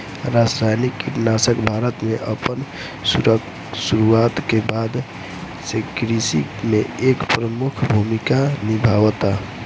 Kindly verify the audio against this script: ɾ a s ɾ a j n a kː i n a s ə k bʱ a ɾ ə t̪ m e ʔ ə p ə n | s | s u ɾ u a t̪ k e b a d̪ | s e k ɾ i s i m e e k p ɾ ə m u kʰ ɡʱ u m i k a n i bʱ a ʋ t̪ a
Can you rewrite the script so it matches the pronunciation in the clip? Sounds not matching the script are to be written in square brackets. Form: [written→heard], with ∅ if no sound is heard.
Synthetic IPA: ɾ a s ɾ a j n [a→i] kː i n a s ə k bʱ a ɾ ə t̪ m e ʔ ə p ə n | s | s u ɾ u a t̪ k e b a d̪ | s e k ɾ i s i m e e k p ɾ ə m u kʰ [ɡʱ→bʱ] u m i k a n i bʱ a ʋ t̪ a